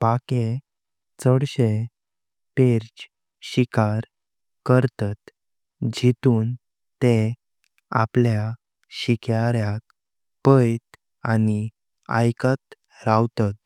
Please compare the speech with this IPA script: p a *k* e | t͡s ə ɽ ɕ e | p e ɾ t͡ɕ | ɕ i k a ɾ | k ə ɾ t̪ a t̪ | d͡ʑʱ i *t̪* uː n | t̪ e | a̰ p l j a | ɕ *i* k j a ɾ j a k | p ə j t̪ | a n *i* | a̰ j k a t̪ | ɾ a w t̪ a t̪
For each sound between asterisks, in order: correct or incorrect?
correct, correct, correct, correct

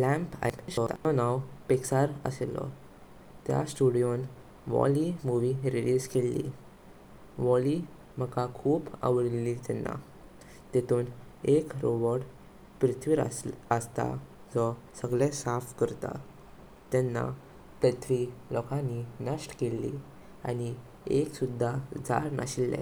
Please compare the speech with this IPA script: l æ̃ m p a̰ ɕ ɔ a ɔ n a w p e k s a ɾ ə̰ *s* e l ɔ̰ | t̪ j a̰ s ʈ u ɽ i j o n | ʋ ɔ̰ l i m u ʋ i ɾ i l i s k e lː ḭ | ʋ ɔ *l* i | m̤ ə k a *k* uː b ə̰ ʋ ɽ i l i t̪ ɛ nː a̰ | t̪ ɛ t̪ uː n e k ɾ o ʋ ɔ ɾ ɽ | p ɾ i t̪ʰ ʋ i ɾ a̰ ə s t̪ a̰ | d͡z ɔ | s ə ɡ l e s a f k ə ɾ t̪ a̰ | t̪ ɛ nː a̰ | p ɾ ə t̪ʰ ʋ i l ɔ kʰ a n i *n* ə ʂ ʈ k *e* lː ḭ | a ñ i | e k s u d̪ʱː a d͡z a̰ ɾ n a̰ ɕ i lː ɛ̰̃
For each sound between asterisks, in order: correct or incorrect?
correct, correct, incorrect: kʰ, correct, correct

